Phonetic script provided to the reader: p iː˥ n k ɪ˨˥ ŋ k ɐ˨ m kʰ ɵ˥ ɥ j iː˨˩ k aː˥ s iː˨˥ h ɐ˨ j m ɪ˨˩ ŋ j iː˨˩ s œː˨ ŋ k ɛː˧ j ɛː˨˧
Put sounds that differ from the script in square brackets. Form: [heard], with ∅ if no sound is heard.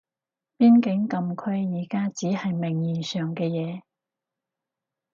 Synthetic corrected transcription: p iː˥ n k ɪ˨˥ ŋ k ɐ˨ m kʰ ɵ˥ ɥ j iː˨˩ k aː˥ [t͡s] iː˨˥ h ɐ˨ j m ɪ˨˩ ŋ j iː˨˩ s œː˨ ŋ k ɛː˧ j ɛː˨˧